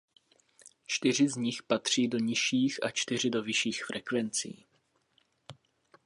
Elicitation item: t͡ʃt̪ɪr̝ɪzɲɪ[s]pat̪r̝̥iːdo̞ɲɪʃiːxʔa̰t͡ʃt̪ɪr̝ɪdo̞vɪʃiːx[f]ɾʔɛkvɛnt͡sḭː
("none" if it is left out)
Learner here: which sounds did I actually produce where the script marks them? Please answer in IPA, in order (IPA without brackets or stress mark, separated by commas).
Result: x, f